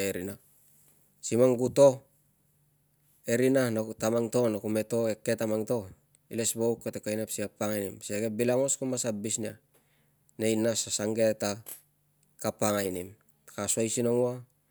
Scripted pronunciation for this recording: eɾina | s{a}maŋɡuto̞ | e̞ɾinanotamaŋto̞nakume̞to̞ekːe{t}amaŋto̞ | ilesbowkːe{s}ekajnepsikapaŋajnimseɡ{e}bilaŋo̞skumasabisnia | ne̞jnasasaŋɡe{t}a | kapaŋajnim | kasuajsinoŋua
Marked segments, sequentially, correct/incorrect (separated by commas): incorrect, correct, incorrect, correct, correct